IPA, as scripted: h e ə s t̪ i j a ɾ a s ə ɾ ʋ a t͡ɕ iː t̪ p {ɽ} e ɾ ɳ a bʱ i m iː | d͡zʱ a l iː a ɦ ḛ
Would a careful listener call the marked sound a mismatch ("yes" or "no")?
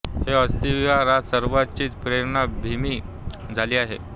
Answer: yes